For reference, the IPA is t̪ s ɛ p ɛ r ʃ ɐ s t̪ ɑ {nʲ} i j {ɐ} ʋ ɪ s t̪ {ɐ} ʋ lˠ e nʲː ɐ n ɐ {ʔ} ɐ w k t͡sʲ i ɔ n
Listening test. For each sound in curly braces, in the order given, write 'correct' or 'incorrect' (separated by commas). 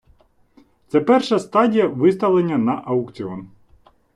incorrect, correct, correct, correct